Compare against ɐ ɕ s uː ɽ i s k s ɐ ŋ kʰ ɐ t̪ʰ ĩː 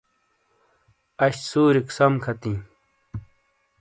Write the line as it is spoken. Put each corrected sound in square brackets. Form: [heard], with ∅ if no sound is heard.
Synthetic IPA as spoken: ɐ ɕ s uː [ɾ] i [∅] k s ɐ [m] kʰ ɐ [t̪] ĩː